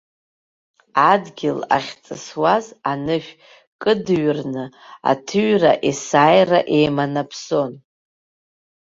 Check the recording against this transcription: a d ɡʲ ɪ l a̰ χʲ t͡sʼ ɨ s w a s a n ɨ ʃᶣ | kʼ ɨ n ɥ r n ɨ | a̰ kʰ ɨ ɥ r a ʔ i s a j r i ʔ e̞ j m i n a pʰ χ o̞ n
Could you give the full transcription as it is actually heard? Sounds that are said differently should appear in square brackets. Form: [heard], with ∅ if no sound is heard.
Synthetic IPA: a d ɡʲ ɪ l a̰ χʲ t͡sʼ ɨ s w a [z] a n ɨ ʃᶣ | kʼ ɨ [d] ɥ r n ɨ | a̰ [tʰ] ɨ ɥ r a ʔ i s a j r [a] ʔ e̞ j m [a] n a pʰ [s] o̞ n